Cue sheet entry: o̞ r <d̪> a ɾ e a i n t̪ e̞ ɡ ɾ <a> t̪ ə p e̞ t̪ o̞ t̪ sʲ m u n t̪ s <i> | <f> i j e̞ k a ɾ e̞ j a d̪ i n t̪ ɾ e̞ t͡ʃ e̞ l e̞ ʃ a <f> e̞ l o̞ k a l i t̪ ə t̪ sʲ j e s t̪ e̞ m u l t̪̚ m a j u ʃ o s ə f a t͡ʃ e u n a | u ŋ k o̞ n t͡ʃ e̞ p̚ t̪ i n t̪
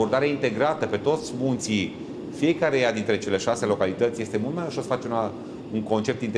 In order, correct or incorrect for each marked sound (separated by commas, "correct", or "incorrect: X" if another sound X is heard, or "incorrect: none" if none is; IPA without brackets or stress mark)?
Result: correct, correct, correct, correct, incorrect: s